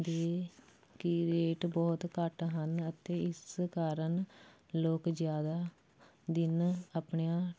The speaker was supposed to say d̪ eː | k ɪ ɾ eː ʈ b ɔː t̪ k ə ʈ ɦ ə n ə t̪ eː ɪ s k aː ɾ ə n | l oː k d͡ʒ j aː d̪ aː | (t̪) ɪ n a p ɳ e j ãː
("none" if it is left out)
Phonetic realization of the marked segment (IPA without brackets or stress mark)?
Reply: d̪